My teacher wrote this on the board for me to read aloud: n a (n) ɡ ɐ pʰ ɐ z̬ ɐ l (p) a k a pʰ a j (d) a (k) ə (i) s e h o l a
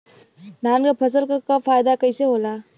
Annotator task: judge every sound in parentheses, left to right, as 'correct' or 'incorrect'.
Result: correct, incorrect, correct, correct, incorrect

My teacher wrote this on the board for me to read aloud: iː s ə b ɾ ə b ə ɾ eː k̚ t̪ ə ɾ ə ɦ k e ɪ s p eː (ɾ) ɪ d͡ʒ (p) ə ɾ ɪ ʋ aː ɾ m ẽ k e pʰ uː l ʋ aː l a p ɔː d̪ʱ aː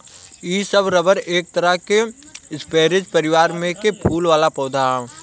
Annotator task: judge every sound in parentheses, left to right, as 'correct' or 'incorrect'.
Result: correct, correct

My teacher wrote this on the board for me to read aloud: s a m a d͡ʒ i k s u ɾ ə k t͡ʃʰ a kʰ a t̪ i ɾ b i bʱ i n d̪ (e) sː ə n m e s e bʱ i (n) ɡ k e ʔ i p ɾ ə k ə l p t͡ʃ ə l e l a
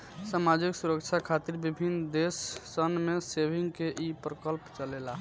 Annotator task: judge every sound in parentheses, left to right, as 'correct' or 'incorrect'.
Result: correct, incorrect

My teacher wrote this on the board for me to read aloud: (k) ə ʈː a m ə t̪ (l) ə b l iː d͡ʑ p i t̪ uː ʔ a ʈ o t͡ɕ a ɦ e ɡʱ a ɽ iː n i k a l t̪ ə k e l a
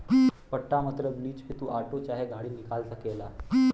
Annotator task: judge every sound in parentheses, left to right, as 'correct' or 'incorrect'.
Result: incorrect, incorrect

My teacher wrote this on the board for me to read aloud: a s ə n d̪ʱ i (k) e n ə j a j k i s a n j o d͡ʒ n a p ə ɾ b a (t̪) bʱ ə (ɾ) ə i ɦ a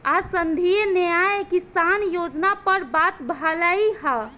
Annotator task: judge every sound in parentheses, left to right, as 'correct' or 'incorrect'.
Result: incorrect, correct, incorrect

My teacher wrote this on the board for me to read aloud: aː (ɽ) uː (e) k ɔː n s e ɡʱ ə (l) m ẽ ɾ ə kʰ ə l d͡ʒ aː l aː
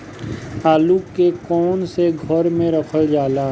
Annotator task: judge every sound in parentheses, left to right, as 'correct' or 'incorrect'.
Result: incorrect, correct, incorrect

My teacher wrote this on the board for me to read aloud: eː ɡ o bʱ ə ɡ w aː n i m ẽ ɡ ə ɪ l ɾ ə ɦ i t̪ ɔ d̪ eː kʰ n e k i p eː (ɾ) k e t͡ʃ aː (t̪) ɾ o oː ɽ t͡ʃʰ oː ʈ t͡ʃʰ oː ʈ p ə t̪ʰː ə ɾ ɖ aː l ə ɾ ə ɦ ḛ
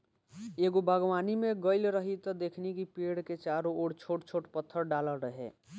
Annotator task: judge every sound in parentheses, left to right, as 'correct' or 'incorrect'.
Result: incorrect, incorrect

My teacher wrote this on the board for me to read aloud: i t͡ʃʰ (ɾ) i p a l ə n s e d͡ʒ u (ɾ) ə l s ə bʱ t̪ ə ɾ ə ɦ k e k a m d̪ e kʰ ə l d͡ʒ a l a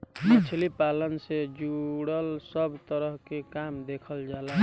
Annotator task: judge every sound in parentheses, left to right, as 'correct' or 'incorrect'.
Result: incorrect, incorrect

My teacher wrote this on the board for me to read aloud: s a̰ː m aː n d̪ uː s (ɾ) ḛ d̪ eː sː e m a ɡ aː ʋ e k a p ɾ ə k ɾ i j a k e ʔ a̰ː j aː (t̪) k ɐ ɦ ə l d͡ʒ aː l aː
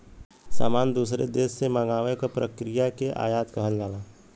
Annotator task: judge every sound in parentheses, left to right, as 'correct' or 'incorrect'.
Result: correct, correct

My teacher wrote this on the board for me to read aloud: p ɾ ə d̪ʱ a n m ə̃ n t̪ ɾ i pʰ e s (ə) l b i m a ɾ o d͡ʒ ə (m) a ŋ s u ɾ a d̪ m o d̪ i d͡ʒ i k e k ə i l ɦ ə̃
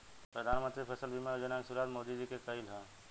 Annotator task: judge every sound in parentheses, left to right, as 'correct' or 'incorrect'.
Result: correct, incorrect

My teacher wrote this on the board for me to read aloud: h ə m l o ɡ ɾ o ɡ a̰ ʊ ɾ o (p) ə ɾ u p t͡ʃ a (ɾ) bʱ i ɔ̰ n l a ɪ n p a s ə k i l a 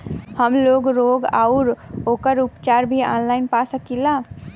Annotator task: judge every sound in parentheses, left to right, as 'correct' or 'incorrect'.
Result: incorrect, correct

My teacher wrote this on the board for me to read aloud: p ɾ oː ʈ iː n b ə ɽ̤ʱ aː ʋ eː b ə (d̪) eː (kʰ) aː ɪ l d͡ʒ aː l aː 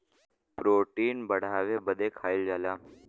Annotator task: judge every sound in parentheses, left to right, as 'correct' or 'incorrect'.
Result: correct, correct

